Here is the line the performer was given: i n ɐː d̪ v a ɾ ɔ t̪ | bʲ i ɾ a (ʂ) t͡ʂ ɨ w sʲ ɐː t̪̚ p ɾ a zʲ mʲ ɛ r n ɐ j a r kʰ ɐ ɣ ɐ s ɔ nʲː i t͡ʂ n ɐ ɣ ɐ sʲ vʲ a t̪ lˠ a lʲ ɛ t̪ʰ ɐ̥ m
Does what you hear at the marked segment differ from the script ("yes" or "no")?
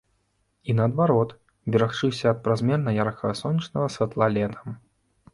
yes